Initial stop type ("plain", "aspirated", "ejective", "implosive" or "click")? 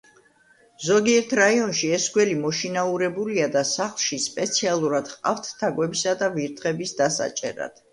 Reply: plain